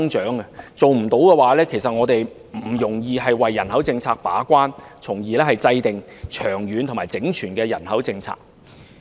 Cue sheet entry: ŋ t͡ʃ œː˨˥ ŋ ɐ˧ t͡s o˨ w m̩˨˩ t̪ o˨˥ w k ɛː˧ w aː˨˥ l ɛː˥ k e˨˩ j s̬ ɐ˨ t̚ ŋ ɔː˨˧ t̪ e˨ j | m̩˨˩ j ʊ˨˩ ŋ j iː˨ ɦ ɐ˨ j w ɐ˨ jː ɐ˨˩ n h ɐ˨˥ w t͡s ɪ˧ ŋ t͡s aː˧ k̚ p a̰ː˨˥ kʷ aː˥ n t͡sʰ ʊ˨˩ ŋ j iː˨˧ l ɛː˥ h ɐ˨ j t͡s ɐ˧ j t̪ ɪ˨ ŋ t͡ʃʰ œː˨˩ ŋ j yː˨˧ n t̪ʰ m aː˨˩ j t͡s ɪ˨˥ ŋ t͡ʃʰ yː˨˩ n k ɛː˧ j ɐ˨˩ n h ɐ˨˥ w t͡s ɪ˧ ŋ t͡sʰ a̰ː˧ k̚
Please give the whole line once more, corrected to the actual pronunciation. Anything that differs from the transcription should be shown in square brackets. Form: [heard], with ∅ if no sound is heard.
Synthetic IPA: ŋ t͡ʃ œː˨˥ ŋ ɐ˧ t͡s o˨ w m̩˨˩ t̪ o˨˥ w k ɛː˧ w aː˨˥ l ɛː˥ [kʰ] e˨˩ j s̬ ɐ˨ t̚ ŋ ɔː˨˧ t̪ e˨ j | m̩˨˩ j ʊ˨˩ ŋ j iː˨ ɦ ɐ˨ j w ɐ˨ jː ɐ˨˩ n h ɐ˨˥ w t͡s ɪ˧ ŋ [t͡sʰ] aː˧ k̚ p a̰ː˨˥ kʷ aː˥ n t͡sʰ ʊ˨˩ ŋ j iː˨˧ l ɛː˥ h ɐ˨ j t͡s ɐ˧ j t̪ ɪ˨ ŋ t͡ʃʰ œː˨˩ ŋ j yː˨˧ n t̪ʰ m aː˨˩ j t͡s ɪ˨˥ ŋ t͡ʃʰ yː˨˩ n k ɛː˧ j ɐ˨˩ n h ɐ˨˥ w t͡s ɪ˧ ŋ t͡sʰ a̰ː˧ k̚